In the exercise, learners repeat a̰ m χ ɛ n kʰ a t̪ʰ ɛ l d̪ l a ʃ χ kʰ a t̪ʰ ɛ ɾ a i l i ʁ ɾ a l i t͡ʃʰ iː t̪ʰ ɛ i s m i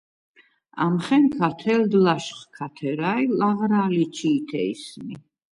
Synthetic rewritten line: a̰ m χ ɛ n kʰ a t̪ʰ ɛ l d̪ l a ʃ χ kʰ a t̪ʰ ɛ ɾ a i l a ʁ ɾ a l i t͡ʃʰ iː t̪ʰ ɛ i s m i